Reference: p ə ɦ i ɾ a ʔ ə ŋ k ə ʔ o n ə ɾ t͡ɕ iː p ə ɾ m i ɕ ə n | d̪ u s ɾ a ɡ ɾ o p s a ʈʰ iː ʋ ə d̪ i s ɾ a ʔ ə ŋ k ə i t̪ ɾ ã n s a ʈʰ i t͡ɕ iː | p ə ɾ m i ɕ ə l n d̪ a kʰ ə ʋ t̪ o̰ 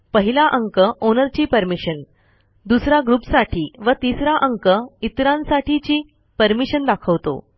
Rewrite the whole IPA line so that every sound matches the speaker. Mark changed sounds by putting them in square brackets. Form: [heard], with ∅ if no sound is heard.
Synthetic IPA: p ə ɦ i [l] a ʔ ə ŋ k ə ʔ o n ə ɾ t͡ɕ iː p ə ɾ m i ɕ ə n | d̪ u s ɾ a ɡ ɾ [u] p s a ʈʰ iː ʋ ə [t̪] i s ɾ a ʔ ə ŋ k ə i t̪ ɾ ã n s a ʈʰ i t͡ɕ iː | p ə ɾ m i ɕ ə [∅] n d̪ a kʰ ə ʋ t̪ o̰